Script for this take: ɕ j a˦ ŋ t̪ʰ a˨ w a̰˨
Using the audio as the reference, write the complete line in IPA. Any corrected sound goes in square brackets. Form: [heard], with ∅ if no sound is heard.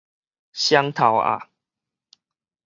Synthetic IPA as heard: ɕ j a˦ ŋ t̪ʰ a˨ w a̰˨